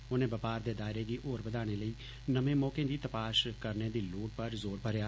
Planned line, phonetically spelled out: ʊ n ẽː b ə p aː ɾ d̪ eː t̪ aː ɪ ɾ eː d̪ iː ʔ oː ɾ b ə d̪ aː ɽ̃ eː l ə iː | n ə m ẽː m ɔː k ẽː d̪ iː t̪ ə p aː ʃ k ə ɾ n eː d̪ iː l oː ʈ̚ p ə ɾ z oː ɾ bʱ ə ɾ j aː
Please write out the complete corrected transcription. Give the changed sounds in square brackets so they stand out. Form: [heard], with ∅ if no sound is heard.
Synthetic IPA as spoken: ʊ n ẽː b ə p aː ɾ d̪ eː [d̪] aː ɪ ɾ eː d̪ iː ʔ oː ɾ b ə d̪ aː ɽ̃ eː l ə iː | n ə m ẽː m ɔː k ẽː d̪ iː t̪ ə p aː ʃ k ə ɾ n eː d̪ iː l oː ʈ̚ p ə ɾ z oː ɾ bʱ ə ɾ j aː